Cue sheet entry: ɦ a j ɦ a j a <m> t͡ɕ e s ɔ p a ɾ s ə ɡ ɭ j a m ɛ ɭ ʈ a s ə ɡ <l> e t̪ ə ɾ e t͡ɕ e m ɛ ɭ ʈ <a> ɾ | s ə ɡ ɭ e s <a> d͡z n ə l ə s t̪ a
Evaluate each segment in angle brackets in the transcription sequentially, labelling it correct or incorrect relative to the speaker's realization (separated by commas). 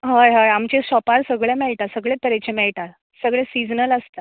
correct, incorrect, correct, incorrect